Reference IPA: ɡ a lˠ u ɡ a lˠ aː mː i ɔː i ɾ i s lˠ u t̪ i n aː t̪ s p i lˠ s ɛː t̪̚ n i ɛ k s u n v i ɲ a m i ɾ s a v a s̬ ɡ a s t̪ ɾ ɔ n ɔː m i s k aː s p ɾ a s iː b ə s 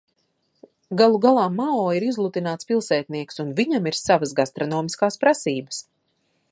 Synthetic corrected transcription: ɡ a lˠ u ɡ a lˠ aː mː a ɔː i ɾ i z lˠ u t̪ i n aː t̪ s p i lˠ s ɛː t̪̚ n i ɛ k s u n v i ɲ a m i ɾ s a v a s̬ ɡ a s t̪ ɾ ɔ n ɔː m i s k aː s p ɾ a s iː b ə s